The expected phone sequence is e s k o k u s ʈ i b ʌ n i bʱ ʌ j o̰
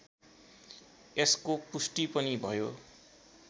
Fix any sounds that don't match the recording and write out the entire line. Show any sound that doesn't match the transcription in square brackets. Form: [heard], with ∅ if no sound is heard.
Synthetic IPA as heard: e s k o [p] u s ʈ i [p] ʌ n i bʱ ʌ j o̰